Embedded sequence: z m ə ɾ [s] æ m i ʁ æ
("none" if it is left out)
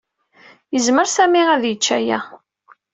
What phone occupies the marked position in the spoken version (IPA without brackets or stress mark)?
s